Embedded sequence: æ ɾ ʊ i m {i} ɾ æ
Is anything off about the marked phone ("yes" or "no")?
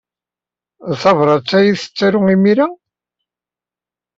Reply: no